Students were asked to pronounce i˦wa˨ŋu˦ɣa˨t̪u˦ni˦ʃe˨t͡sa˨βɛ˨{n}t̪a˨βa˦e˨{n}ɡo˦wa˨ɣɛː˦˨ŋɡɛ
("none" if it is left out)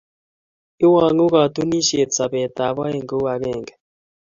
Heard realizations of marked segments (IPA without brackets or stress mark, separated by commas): none, ŋ